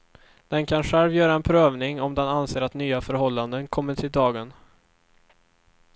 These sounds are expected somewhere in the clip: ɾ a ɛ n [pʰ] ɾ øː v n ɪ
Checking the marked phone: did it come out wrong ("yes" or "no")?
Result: no